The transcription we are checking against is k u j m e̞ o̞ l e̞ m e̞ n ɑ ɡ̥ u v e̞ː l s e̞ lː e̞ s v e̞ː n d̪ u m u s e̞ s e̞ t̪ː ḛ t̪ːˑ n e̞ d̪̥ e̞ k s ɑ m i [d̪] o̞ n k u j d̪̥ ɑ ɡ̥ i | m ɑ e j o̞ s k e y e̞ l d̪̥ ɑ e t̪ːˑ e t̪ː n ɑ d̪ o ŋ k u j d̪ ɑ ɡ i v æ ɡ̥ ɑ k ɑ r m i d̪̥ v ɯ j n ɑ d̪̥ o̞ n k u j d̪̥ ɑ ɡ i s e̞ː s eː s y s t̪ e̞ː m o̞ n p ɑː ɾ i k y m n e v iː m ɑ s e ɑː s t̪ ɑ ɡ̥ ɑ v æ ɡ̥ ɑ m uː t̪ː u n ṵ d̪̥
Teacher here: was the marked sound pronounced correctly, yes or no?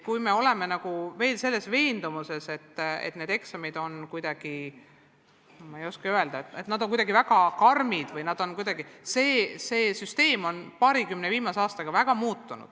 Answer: yes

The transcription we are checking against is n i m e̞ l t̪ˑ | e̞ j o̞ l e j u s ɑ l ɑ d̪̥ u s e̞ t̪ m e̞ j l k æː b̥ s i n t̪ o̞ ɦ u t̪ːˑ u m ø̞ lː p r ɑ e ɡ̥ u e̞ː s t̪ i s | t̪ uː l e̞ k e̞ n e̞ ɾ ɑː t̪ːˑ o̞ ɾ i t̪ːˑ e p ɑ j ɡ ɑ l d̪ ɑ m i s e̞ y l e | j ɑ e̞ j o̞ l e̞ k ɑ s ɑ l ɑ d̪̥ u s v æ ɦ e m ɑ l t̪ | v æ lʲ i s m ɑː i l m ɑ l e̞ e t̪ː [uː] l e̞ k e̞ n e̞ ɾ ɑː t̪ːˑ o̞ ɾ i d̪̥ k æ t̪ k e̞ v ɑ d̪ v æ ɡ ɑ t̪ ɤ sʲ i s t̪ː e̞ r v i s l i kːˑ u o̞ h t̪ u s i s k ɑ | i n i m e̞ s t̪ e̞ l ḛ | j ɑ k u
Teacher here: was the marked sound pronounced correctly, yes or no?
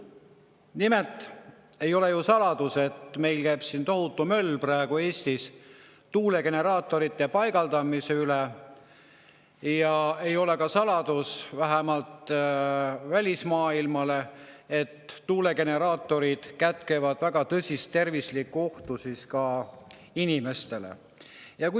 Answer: yes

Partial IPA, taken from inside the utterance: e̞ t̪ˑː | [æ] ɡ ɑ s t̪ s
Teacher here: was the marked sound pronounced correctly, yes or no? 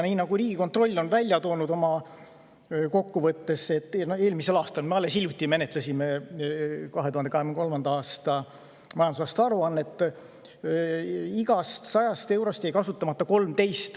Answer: no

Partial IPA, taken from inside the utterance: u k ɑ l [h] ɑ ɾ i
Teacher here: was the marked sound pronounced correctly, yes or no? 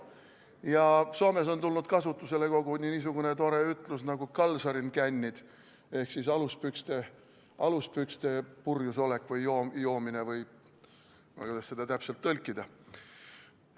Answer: no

